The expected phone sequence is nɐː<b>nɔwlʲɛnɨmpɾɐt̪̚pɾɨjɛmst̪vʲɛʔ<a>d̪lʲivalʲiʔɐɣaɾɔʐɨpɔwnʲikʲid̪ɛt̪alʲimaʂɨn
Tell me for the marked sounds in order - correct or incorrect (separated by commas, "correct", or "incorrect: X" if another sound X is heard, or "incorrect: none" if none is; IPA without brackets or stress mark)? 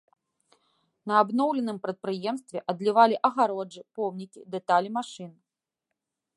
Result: correct, incorrect: ɐ